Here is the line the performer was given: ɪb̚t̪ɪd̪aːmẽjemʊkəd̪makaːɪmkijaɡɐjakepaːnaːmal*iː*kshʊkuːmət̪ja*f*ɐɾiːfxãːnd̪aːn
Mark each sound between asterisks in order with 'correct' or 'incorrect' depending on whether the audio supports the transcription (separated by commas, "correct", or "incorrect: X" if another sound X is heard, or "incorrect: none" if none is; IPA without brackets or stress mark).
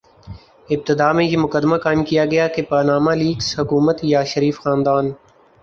correct, incorrect: ʃ